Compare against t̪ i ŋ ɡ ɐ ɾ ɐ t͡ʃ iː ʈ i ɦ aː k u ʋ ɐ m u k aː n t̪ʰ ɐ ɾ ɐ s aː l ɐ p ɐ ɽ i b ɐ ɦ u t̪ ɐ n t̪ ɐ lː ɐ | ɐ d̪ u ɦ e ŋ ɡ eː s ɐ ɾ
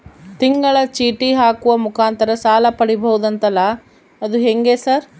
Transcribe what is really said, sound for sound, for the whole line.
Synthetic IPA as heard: t̪ i ŋ ɡ ɐ ɭ ɐ t͡ʃ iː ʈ i ɦ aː k u ʋ ɐ m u k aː n t̪ ɐ ɾ ɐ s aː l ɐ p ɐ ɽ i b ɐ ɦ u d̪ ɐ n t̪ ɐ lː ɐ | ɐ d̪ u ɦ e ŋ ɡ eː s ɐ ɾ

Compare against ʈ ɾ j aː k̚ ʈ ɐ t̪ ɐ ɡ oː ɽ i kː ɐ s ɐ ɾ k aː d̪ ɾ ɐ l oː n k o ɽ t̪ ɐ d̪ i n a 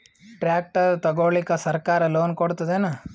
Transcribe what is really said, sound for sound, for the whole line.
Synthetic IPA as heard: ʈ ɾ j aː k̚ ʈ ɐ t̪ ɐ ɡ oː ɭ i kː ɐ s ɐ ɾ k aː ɾ ɐ l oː n k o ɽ t̪ ɐ d̪ e n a

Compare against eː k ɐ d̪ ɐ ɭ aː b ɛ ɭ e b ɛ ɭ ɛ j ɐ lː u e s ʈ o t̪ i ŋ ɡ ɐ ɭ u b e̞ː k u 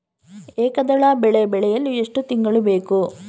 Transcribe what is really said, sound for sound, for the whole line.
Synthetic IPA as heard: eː k ɐ d̪ ɐ ɭ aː b ɛ ɭ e b ɛ ɭ ɛ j ɐ lː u e ʂ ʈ u t̪ i ŋ ɡ ɐ ɭ u b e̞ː k u

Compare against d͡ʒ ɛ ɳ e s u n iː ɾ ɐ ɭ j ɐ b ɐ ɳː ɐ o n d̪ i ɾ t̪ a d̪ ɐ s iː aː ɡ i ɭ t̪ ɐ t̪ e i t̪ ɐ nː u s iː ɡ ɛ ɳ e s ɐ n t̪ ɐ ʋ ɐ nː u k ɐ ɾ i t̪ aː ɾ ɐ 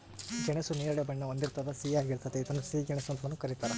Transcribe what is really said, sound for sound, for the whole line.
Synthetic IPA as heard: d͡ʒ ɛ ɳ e s u n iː ɾ ɐ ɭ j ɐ b ɐ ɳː ɐ o n d̪ i ɾ t̪ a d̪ ɐ s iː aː ɡ i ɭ t̪ ɐ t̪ e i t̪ ɐ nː u s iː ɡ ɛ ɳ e s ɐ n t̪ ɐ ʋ ɐ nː u k ɐ ɾ i t̪ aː ɾ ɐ

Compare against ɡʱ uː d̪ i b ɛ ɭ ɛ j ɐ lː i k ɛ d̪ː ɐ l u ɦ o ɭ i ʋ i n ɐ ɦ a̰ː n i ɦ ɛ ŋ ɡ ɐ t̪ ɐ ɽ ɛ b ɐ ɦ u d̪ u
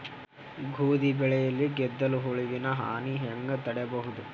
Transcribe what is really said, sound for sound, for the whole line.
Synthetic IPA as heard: ɡʱ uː d̪ i b ɛ ɭ ɛ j ɐ lː i ɡ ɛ d̪ː ɐ l u ɦ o ɭ i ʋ i n ɐ ɦ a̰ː n i ɦ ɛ ŋ ɡ ɐ t̪ ɐ ɽ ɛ b ɐ ɦ u d̪ u

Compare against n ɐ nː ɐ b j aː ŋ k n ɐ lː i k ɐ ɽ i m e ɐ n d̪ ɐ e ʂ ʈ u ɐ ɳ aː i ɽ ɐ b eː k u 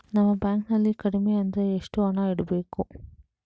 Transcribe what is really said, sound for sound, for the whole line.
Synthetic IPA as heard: n ɐ mː ɐ b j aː ŋ k n ɐ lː i k ɐ ɽ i m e ɐ n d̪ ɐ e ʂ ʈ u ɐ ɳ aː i ɽ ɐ b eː k u

